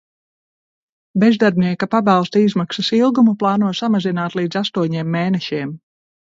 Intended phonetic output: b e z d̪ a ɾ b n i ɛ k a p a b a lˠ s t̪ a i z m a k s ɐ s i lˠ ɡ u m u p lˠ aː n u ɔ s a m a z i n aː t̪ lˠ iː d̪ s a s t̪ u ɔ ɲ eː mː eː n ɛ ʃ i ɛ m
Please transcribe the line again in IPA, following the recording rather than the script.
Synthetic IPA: b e z d̪ a ɾ b n i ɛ k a p a b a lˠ s t̪ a i z m a k s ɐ s i lˠ ɡ u m u p lˠ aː n u ɔ s a m a z i n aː t̪ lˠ iː d̪ z a s t̪ u ɔ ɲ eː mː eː n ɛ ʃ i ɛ m

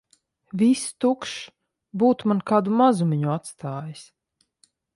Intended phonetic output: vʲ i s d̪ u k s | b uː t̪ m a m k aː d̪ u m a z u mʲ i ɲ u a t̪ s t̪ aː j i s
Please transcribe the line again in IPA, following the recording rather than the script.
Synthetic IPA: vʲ i s t̪ u k ʃ | b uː t̪ m a n k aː d̪ u m a z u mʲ i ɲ u a t̪ s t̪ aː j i s

